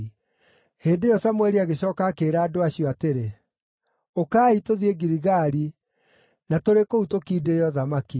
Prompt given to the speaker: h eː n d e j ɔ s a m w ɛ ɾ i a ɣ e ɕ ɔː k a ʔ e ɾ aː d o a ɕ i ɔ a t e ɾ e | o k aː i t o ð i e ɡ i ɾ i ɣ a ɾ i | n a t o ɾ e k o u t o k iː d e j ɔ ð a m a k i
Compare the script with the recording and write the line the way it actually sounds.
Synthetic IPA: h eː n d e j ɔ s a m w ɛ ɾ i a ɣ e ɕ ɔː k a k e ɾ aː d o a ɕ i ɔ a t e ɾ e | o k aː i t o ð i e ɡ i ɾ i ɣ a ɾ i | n a t o ɾ e k o u t o k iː d e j ɔ ð a m a k i